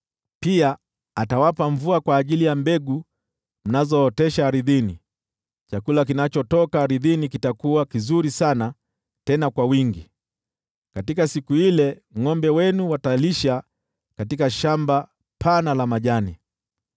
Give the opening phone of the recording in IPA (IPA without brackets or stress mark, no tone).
p